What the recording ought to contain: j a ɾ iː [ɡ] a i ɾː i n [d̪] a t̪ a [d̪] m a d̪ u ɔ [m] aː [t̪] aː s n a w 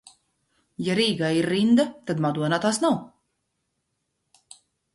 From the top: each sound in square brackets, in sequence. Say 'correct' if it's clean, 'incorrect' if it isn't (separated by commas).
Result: correct, correct, correct, incorrect, correct